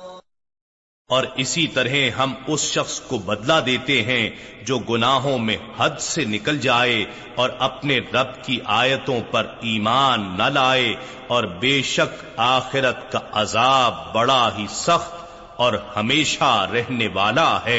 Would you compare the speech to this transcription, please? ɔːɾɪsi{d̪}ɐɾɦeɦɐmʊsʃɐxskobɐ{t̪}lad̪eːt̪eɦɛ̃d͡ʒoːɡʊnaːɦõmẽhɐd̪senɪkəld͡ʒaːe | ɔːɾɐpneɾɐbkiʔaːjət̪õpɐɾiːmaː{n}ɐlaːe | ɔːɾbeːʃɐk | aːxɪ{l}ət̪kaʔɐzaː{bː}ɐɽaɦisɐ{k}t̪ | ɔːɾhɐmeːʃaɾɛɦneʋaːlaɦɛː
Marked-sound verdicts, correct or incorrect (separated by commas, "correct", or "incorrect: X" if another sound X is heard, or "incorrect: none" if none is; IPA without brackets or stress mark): incorrect: t̪, incorrect: d̪, incorrect: nː, incorrect: ɾ, correct, incorrect: x